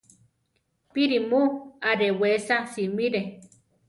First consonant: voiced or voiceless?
voiceless